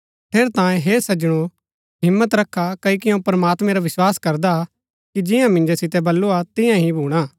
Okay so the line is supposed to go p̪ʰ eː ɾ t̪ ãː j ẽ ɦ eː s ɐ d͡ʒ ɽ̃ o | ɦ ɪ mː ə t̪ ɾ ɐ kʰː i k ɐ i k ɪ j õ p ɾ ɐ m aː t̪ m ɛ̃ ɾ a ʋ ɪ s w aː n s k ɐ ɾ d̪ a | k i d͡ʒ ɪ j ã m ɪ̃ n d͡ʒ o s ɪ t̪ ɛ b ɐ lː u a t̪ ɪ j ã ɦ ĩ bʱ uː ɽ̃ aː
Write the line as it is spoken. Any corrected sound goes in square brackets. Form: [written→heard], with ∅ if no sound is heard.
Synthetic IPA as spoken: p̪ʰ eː ɾ t̪ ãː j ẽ ɦ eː s ɐ d͡ʒ ɽ̃ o | ɦ ɪ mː ə t̪ ɾ ɐ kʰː [i→a] k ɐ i k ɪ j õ p ɾ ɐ m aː t̪ m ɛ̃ ɾ a ʋ ɪ s w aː [n→∅] s k ɐ ɾ d̪ a | k i d͡ʒ ɪ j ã m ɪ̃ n d͡ʒ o s ɪ t̪ ɛ b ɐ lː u a t̪ ɪ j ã ɦ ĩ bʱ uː ɽ̃ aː